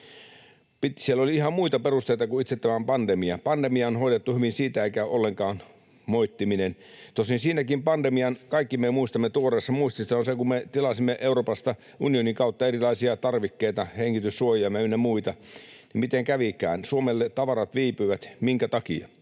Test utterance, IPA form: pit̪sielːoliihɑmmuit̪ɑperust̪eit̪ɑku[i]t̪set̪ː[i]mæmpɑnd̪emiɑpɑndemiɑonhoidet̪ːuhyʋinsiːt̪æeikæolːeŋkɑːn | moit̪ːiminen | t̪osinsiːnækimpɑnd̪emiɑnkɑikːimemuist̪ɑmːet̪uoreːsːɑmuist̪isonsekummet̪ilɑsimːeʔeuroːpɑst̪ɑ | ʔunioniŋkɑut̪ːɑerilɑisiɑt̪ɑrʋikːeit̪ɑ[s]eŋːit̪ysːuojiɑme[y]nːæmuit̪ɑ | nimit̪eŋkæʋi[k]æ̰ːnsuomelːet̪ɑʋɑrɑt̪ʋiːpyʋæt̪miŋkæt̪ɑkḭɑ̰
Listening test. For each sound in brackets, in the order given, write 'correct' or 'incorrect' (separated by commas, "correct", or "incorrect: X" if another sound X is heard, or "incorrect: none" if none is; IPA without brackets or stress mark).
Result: correct, incorrect: æ, incorrect: h, correct, correct